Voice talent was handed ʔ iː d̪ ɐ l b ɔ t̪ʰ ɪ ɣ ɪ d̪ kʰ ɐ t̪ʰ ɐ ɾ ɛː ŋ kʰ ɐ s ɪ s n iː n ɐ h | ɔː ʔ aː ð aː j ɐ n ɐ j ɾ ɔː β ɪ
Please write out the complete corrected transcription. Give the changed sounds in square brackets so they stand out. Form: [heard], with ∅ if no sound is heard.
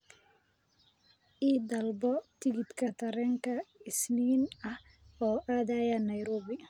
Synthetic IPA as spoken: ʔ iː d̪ ɐ l b ɔ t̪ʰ ɪ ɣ ɪ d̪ kʰ ɐ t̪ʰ ɐ ɾ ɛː ŋ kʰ ɐ [∅] ɪ s n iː n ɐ h | ɔː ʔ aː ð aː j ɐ n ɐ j ɾ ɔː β ɪ